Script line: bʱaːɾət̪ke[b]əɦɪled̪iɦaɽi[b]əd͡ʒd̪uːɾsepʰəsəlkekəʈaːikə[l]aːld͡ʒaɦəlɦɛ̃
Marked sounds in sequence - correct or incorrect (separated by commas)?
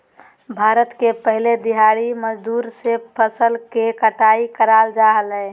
incorrect, incorrect, incorrect